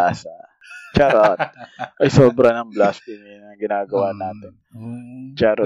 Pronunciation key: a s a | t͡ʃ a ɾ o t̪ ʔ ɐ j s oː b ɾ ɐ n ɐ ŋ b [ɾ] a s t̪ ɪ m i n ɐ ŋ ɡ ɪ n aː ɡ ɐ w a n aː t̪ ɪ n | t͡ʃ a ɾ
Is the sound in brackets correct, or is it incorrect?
incorrect